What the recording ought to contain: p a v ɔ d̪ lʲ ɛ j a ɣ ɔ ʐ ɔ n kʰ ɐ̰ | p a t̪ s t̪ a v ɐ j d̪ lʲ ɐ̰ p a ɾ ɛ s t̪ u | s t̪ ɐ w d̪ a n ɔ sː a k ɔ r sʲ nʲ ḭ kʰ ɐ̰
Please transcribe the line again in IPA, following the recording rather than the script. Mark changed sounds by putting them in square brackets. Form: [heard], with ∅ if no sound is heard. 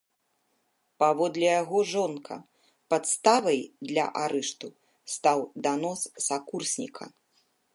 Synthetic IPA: p a v ɔ d̪ lʲ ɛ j a ɣ ɔ ʐ ɔ n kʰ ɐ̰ | p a t̪ s t̪ a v ɐ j d̪ lʲ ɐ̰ [ʔ] a ɾ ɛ [ʂ] t̪ u | s t̪ [a] w d̪ a n ɔ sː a k [u] r sʲ nʲ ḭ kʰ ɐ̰